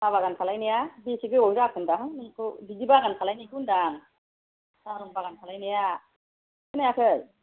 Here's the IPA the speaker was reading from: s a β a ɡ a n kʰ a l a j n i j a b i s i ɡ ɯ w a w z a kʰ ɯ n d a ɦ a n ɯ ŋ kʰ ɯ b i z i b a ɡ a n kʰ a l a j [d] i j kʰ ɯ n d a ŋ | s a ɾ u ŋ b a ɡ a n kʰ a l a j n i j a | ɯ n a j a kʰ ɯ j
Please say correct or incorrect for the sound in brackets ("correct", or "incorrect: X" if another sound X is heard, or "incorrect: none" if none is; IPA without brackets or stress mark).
incorrect: n